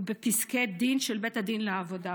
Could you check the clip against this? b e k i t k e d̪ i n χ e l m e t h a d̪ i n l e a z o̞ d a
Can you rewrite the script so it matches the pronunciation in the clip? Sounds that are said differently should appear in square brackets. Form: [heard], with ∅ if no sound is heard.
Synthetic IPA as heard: b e [p] i [s] k e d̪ i n [ʃ] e l [b] e t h a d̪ i n l e a [v] o̞ d a